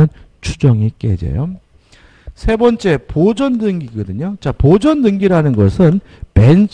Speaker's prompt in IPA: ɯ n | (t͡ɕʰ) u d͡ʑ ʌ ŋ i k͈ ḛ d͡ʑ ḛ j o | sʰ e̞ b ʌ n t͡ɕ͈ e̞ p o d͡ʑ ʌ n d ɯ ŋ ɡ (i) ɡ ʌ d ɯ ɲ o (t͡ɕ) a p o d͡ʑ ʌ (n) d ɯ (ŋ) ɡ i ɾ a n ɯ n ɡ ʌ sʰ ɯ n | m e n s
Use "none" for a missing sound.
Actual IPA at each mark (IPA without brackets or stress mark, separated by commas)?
t͡ɕʰ, i, t͡ɕ, n, ŋ